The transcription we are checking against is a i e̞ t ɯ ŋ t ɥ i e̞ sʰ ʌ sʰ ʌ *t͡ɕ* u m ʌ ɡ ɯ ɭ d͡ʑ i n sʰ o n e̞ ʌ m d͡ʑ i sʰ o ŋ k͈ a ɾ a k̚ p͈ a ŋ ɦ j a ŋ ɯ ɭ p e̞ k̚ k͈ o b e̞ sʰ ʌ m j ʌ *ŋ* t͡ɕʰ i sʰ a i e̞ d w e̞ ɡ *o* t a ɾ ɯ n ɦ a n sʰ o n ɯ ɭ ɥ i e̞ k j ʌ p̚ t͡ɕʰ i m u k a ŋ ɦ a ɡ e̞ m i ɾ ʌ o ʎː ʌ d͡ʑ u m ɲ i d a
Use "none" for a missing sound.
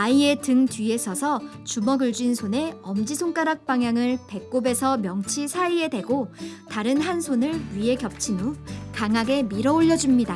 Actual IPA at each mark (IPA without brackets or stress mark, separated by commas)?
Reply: t͡ɕ, ŋ, o